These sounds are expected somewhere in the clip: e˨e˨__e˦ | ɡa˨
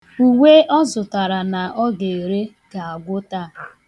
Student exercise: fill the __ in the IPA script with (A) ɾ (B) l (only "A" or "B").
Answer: A